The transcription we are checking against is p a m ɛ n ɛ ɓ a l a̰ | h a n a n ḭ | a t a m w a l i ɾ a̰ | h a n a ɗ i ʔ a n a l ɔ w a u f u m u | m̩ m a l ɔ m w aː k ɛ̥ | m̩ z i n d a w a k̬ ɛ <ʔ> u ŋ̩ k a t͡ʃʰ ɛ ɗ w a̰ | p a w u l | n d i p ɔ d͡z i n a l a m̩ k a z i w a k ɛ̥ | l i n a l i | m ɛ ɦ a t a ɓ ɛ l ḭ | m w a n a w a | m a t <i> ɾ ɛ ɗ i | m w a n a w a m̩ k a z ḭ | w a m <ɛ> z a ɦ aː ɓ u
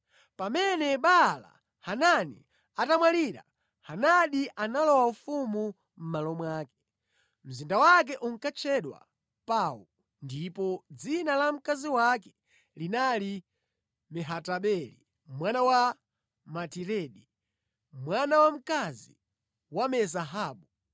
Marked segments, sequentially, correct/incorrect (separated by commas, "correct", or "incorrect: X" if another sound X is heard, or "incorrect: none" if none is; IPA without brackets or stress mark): correct, correct, correct